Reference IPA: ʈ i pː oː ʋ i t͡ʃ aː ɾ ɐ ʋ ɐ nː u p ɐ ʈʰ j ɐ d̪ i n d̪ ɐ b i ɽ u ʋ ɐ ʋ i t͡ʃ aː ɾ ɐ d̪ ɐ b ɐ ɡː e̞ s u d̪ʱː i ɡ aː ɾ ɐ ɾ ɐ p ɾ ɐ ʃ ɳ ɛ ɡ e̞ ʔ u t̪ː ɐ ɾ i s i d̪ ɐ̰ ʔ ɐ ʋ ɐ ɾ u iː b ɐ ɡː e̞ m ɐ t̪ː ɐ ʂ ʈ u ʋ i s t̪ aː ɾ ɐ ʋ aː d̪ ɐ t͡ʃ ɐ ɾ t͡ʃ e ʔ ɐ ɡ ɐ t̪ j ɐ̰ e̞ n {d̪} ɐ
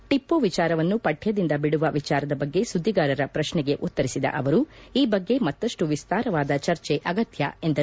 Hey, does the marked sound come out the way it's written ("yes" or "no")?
yes